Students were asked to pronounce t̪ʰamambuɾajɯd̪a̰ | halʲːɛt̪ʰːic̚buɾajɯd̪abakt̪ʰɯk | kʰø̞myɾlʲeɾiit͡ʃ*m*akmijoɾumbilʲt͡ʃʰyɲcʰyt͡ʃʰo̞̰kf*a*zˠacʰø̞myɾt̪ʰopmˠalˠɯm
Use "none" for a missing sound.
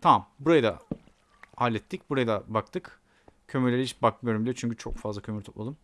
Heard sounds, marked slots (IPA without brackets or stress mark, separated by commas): b, a